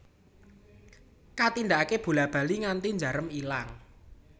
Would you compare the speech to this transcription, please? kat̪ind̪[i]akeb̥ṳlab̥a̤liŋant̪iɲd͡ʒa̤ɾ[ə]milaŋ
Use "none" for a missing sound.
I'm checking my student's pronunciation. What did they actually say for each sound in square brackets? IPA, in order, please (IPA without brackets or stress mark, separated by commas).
a, ə